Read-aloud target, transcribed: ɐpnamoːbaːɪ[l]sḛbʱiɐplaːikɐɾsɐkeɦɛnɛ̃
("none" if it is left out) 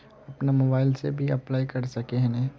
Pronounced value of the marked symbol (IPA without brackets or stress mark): l